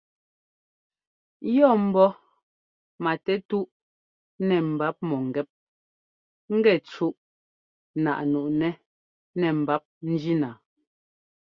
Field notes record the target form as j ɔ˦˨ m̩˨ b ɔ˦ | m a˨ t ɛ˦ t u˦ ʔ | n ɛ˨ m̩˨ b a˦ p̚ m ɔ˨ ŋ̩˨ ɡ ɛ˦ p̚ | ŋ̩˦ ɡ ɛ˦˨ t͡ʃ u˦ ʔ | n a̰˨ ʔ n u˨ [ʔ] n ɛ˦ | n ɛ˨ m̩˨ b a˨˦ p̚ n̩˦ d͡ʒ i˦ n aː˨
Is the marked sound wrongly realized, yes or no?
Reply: no